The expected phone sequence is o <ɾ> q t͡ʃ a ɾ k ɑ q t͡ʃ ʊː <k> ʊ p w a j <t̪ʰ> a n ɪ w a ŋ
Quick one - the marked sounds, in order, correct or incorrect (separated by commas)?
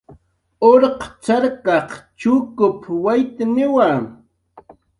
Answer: correct, correct, incorrect